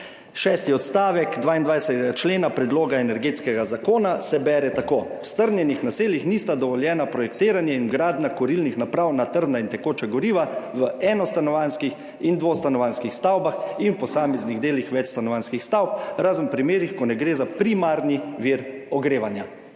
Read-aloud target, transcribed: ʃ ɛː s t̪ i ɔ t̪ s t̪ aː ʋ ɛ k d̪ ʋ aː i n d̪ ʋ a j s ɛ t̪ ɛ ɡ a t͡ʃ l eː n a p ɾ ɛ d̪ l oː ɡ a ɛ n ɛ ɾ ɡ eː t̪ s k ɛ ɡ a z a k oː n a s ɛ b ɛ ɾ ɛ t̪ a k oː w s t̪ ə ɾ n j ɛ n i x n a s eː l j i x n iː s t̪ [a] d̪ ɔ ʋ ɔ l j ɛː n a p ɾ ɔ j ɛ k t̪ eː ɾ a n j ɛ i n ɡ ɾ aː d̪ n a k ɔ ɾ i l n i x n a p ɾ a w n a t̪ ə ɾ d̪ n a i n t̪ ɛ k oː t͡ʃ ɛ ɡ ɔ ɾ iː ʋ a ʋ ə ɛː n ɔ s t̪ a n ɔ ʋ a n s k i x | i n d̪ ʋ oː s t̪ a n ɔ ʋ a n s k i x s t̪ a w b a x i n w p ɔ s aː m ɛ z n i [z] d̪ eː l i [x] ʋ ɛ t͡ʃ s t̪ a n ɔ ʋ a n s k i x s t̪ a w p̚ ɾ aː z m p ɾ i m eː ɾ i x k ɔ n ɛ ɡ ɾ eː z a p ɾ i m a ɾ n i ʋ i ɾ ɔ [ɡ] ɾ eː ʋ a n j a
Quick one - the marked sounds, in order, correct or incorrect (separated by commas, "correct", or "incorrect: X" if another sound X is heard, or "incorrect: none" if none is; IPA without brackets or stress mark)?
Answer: correct, incorrect: ɣ, correct, correct